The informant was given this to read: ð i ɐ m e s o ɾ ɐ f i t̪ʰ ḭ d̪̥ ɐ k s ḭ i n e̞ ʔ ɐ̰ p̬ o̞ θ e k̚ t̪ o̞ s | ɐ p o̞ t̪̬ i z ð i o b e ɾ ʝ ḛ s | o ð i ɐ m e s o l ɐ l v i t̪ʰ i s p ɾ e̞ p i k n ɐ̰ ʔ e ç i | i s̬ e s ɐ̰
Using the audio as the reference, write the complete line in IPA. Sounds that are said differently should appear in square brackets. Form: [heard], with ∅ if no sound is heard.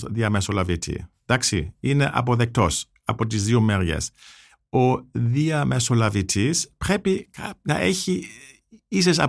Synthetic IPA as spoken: ð i ɐ m e s o [l] ɐ [v] i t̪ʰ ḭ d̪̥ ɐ k s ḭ i n e̞ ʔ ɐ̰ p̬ o̞ [ð] e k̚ t̪ o̞ s | ɐ p o̞ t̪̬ i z ð i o [m] e ɾ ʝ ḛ s | o ð i ɐ m e s o l ɐ [∅] v i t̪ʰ i s p ɾ e̞ p i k n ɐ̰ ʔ e ç i | i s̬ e s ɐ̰